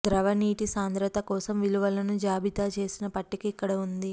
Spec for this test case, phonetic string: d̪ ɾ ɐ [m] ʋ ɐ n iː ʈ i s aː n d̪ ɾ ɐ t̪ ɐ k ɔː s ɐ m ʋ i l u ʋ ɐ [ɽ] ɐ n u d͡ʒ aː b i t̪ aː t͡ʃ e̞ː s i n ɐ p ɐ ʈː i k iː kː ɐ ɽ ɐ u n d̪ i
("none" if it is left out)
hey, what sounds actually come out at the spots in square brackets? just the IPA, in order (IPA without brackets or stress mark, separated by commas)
none, l